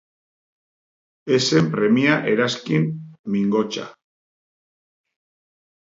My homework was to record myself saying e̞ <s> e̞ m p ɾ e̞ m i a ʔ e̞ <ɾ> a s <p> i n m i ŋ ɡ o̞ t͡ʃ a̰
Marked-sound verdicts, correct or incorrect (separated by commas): correct, correct, incorrect